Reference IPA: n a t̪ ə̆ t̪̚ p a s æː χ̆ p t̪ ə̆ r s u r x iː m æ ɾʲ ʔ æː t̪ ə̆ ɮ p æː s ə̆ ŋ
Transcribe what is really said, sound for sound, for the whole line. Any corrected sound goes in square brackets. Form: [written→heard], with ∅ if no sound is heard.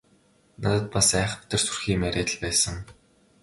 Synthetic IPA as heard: n a t̪ ə̆ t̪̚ p a s æː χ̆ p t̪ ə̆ r s u r x iː m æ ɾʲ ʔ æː t̪ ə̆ ɮ p æː s ə̆ ŋ